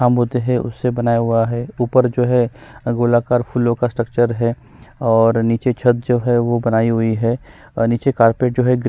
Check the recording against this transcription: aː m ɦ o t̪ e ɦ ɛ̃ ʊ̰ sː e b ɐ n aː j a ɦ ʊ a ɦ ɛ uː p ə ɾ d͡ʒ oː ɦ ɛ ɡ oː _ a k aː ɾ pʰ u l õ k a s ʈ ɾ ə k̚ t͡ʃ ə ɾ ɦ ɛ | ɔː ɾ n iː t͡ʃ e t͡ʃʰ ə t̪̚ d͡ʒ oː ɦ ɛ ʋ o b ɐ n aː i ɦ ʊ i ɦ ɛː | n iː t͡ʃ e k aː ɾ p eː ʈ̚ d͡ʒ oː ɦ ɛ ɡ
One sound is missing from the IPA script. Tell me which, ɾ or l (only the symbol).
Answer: l